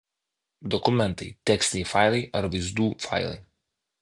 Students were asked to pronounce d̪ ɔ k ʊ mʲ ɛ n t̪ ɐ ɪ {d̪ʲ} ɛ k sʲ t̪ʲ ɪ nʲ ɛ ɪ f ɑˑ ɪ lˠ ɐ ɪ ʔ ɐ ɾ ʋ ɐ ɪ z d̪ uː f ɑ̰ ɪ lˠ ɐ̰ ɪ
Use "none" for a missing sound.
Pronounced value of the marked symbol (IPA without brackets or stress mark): t̪ʲ